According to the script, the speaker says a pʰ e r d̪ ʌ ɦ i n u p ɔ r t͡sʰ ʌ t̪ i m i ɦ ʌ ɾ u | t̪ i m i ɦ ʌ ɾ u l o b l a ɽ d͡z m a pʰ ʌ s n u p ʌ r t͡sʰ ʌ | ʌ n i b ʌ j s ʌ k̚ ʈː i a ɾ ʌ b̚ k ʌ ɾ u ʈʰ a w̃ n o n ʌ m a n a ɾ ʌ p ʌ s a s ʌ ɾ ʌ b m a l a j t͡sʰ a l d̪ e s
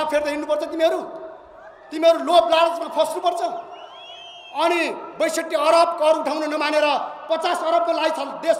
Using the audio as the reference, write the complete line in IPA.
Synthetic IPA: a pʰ e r d̪ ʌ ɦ i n u p ʌ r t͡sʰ ʌ t̪ i m i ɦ ʌ ɾ u | t̪ i m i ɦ ʌ ɾ u l o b l a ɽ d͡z m a pʰ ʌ s n u p ʌ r t͡sʰ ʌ | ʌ n i b ʌ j s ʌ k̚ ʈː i ʌ ɾ ʌ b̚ k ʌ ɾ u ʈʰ a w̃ n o n ʌ m a n e ɾ ʌ p ʌ t͡s a s ʌ ɾ ʌ b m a l a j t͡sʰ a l d̪ e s